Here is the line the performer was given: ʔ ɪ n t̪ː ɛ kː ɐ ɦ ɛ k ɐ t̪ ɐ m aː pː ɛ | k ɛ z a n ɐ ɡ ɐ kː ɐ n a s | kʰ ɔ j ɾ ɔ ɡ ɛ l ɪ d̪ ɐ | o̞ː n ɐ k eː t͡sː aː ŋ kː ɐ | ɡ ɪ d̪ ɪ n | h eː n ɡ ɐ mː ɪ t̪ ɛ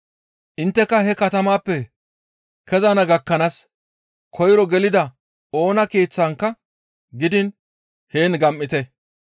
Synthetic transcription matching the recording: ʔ ɪ n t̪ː ɛ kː ɐ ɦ ɛ k ɐ t̪ ɐ m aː pː ɛ | k ɛ z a n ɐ ɡ ɐ kː ɐ n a s | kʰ ɔ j ɾ ɔ ɡ ɛ l ɪ d̪ ɐ | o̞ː n ɐ k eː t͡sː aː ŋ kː ɐ | ɡ ɪ d̪ ɪ n | h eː n ɡ ɐ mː ɪ t̪ ɛ